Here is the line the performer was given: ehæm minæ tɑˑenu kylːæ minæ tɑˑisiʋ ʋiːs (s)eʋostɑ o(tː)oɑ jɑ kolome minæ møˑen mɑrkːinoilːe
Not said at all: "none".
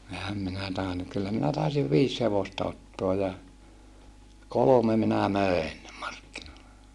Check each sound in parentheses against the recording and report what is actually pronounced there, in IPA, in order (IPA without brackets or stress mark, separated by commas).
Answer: h, tː